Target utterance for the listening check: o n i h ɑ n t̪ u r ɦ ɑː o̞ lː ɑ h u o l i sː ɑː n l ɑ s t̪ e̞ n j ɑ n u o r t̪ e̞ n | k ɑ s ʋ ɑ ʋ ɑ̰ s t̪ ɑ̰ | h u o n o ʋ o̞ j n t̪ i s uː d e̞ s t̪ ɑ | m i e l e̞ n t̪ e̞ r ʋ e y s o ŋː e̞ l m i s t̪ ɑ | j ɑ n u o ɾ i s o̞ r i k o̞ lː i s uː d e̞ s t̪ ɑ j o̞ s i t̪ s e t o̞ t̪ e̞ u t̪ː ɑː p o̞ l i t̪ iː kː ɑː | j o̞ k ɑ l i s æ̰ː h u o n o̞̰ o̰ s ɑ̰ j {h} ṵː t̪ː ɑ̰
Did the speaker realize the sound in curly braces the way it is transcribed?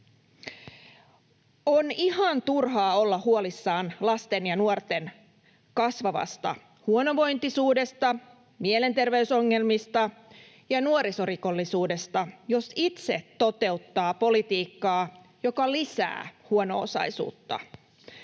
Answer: no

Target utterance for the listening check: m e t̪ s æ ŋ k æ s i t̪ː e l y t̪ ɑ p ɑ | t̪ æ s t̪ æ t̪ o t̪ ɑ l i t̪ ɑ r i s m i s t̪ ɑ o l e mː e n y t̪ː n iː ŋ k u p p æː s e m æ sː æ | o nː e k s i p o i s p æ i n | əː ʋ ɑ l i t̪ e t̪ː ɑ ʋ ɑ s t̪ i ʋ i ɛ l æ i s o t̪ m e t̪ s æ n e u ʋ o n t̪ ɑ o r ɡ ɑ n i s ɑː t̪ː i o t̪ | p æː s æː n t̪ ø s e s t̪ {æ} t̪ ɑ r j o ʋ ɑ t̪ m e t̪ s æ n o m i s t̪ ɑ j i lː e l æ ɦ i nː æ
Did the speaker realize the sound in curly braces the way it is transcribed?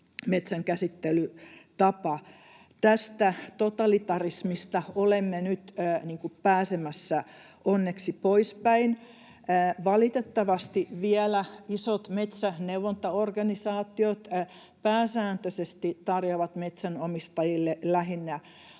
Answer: no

